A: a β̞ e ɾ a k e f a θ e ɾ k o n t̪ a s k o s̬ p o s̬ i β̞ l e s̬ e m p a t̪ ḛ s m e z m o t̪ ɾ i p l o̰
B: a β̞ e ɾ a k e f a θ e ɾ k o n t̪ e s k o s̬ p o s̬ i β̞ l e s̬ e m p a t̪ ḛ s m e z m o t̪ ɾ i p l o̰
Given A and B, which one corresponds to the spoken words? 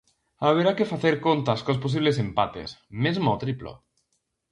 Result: A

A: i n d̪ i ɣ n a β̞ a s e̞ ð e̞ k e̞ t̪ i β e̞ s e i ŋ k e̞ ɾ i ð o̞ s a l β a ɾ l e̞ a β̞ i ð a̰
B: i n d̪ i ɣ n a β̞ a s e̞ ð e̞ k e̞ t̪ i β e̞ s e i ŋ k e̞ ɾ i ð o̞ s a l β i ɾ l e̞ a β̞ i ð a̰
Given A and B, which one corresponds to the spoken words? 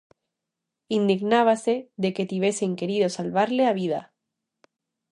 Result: A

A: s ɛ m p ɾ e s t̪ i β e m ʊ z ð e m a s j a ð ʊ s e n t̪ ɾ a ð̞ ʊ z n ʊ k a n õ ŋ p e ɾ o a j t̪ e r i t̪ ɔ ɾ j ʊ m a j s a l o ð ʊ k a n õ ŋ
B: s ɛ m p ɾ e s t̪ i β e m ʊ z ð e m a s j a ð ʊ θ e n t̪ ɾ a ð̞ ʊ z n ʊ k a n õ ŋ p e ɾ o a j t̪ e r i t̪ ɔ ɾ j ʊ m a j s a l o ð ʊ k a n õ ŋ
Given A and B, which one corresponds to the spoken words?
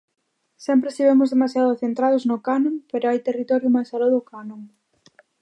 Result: B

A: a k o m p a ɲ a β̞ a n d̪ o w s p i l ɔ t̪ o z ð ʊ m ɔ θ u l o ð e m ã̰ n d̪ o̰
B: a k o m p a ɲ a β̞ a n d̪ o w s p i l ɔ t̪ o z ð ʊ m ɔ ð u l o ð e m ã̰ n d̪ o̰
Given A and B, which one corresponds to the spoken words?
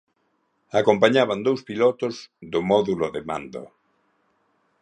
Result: B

